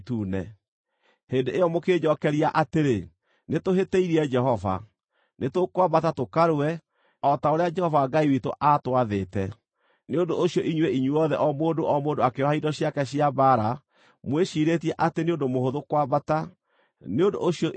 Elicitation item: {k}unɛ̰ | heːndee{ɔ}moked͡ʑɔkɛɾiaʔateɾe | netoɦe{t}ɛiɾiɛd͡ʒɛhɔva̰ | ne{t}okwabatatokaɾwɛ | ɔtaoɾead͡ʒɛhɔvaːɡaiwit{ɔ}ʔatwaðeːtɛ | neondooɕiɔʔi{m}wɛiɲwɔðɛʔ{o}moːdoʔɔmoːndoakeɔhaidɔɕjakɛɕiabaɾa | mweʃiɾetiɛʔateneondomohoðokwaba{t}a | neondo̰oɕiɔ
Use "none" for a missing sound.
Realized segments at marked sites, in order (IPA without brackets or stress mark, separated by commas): t, ɔ, t, t, o, ɲ, ɔ, t